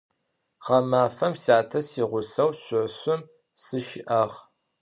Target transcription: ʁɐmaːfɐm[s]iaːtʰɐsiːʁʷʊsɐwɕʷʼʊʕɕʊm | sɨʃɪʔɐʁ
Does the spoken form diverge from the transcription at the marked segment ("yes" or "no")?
no